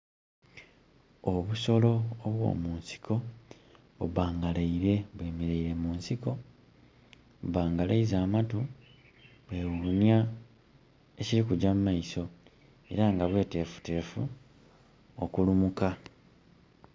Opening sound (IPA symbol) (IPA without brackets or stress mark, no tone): o̞